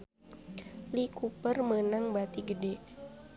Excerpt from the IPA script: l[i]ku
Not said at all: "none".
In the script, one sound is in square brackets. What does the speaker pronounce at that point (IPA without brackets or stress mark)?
i